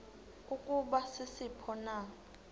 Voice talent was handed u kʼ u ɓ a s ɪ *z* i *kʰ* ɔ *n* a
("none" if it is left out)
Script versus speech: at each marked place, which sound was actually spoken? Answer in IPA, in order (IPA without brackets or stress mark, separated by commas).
s, pʰ, n